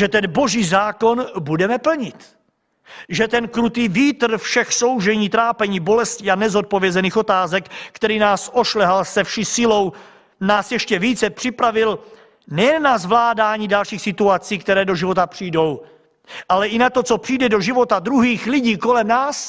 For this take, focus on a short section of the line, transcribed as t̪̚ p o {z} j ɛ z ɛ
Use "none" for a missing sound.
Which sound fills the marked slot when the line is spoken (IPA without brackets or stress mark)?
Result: v